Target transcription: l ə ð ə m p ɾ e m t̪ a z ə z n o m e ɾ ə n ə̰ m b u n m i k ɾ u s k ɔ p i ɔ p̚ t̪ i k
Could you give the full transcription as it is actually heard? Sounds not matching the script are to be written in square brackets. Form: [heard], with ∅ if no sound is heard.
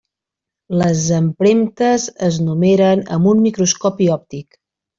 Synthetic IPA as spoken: l ə [z] ə m p ɾ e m t̪ [ə] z ə z n [u] m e ɾ ə n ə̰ m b u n m i k ɾ u s k ɔ p i ɔ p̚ t̪ i k